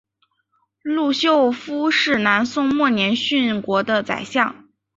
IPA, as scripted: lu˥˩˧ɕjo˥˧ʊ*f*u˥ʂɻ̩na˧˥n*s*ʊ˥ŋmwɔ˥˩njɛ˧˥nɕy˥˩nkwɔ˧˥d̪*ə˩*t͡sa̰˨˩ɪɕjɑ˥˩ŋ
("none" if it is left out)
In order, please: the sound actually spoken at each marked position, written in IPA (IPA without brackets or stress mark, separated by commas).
f, s, ə˧